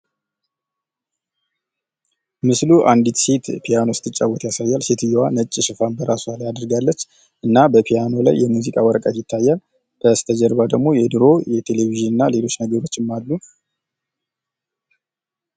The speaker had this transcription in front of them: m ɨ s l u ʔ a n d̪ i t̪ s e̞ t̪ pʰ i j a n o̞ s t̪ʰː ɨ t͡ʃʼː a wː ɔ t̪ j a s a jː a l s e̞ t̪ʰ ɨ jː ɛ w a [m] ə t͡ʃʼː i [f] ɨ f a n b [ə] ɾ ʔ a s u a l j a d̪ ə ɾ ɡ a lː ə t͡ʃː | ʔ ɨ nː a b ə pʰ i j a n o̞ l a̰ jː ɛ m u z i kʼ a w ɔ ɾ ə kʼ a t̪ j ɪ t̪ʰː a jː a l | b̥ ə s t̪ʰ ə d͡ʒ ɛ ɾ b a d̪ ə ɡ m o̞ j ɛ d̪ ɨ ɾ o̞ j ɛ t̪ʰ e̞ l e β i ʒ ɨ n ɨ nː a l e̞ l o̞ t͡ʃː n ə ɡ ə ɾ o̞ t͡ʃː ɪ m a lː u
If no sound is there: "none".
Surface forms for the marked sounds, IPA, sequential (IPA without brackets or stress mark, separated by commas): n, ʃ, ə